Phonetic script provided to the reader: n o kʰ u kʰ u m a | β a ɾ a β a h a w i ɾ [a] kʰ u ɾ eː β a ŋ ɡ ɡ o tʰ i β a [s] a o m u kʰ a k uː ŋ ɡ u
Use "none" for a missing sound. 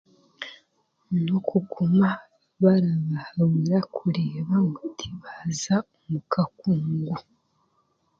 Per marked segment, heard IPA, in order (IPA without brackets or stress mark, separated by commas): a, z